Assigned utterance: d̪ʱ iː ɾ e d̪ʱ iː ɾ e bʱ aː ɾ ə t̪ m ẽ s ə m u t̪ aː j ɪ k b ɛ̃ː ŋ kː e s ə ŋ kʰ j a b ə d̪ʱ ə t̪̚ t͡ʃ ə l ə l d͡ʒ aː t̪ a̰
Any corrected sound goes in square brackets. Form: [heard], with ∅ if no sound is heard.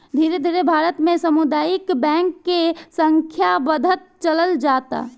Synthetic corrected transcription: d̪ʱ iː ɾ e d̪ʱ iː ɾ e bʱ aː ɾ ə t̪ m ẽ s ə m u [d̪] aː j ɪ k b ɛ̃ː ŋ kː e s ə ŋ kʰ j a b ə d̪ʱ ə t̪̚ t͡ʃ ə l ə l d͡ʒ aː t̪ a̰